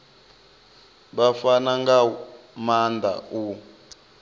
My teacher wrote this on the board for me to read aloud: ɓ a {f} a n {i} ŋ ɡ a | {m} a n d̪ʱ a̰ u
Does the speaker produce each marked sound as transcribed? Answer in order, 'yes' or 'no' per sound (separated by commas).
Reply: yes, no, yes